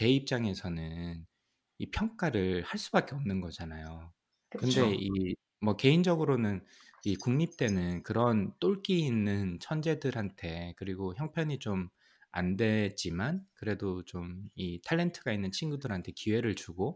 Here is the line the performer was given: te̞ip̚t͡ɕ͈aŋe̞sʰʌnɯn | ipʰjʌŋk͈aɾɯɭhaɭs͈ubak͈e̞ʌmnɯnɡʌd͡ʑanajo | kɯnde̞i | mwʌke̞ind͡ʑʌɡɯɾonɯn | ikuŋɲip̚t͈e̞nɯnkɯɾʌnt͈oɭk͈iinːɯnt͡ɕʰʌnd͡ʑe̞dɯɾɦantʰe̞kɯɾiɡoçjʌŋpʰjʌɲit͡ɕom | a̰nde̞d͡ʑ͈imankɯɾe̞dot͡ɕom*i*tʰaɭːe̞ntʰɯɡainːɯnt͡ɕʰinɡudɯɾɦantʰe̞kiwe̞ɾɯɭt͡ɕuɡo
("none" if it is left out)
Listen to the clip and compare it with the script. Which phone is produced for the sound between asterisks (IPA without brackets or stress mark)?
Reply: i